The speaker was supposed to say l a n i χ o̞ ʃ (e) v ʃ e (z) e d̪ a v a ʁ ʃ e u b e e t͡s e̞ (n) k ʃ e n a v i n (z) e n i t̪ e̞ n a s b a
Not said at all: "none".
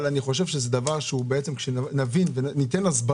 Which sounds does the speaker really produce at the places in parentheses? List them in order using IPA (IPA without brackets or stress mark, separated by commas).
e, z, m, v